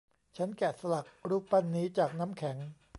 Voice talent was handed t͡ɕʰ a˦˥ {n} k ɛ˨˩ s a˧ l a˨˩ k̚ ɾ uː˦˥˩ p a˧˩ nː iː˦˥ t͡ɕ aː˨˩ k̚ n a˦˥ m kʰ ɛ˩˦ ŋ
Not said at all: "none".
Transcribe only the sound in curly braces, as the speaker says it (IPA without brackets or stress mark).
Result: n